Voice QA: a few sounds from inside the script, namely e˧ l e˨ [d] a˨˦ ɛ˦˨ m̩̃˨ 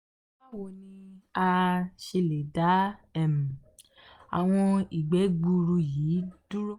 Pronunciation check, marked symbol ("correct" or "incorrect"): correct